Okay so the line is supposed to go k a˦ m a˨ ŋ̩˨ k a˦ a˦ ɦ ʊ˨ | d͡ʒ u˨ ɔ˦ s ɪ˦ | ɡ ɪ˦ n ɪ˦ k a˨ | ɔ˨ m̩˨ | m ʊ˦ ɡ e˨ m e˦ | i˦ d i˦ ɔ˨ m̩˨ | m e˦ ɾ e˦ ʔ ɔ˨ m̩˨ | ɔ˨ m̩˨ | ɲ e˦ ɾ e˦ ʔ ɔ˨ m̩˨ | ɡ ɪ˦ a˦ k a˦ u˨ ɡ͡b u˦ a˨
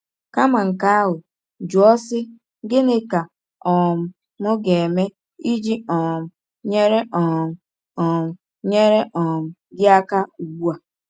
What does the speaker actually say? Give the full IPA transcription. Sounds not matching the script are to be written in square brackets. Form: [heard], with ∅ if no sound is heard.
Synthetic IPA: k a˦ m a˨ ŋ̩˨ k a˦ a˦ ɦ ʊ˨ | d͡ʒ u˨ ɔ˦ s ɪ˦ | ɡ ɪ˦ n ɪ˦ k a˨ | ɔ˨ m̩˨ | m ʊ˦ ɡ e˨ m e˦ | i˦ [d͡ʒ] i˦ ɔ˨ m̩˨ | [ɲ] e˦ ɾ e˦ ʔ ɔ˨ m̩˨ | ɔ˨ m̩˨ | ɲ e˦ ɾ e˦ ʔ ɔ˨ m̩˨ | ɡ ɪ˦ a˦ k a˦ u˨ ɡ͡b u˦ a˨

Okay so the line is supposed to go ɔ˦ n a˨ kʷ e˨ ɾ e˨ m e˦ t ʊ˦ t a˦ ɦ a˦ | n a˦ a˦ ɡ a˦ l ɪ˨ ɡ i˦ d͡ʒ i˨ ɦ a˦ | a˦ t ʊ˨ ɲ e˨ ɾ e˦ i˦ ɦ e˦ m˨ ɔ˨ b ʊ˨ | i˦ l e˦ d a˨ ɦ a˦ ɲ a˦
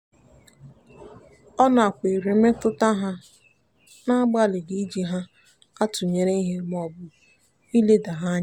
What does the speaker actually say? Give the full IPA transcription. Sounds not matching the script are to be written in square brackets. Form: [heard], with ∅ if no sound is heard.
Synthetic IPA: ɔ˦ n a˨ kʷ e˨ ɾ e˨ m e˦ t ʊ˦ t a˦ ɦ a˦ | n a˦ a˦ [ɡ͡b] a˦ l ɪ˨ ɡ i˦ d͡ʒ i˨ ɦ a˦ | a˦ t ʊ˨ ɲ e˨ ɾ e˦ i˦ ɦ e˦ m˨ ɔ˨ b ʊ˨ | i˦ l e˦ d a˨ ɦ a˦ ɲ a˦

